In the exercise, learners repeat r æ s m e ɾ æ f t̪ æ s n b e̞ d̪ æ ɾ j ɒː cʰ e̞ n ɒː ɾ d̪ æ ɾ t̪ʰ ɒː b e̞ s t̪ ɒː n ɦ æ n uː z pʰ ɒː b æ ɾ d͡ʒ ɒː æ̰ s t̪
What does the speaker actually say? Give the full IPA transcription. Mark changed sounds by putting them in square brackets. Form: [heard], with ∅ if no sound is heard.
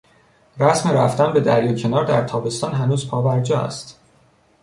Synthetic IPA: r æ s m e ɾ æ f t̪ æ [∅] n b e̞ d̪ æ ɾ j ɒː cʰ e̞ n ɒː ɾ d̪ æ ɾ t̪ʰ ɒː b e̞ s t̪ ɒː n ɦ æ n uː z pʰ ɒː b æ ɾ d͡ʒ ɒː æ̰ s t̪